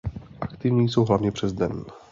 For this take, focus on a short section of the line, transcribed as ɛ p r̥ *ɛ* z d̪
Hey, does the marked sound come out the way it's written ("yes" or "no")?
yes